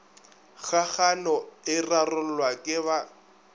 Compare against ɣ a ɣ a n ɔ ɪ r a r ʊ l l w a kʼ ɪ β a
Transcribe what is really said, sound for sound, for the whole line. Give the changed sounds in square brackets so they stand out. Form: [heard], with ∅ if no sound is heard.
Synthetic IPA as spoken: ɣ a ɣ a n ɔ ɪ r a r ʊ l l w a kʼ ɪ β a